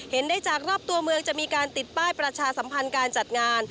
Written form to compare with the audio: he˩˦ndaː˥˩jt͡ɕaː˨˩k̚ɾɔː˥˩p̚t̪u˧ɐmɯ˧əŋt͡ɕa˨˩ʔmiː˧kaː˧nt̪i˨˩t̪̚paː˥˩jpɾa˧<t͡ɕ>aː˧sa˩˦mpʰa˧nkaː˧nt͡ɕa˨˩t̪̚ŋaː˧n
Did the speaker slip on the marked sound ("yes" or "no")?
yes